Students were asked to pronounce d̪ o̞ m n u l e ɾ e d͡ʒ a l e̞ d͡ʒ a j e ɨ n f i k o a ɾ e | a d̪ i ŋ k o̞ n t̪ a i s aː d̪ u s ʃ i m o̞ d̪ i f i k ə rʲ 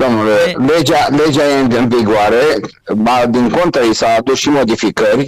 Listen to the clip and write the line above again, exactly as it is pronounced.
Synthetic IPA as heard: d̪ o̞ m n u l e l e d͡ʒ a l e̞ d͡ʒ a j e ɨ n v i ɡ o a ɾ e | a d̪ i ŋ k o̞ n t̪ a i s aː d̪ u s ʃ i m o̞ d̪ i f i k ə rʲ